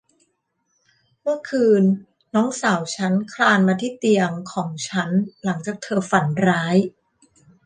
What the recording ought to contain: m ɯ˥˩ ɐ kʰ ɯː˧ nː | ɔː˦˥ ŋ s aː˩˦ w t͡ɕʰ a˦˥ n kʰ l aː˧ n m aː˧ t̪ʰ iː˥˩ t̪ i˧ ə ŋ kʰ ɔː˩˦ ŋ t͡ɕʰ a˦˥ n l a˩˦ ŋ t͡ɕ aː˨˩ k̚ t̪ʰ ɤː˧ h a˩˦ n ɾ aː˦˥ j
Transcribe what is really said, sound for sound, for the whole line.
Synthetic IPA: m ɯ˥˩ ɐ kʰ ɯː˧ nː | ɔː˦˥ ŋ s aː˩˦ w t͡ɕʰ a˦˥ n kʰ l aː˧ n m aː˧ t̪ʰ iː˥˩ t̪ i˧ ə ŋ kʰ ɔː˩˦ ŋ t͡ɕʰ a˦˥ n l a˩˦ ŋ t͡ɕ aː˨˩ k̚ t̪ʰ ɤː˧ f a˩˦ n ɾ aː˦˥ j